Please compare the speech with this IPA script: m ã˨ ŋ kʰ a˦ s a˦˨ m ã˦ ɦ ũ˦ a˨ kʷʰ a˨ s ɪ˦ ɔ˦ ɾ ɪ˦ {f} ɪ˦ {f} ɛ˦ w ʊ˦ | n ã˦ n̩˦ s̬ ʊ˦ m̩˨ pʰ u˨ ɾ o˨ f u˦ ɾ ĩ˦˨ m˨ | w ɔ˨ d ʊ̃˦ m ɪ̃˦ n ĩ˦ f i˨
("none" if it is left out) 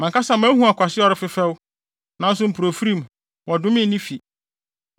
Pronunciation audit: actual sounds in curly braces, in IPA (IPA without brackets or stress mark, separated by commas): f, f